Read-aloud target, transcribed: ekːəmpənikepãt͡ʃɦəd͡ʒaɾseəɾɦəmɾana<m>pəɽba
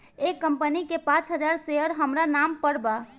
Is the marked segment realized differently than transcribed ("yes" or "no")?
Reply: no